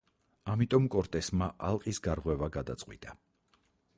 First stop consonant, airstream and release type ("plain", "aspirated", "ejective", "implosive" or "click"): ejective